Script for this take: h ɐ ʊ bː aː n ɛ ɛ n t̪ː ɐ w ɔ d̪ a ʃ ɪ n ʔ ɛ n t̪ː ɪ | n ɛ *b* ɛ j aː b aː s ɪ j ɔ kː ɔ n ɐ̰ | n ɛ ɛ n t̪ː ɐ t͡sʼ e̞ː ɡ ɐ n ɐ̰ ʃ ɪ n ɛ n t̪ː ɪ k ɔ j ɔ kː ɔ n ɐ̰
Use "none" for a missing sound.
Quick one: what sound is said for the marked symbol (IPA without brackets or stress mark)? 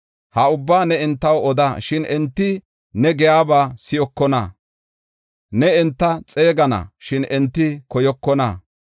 ɡ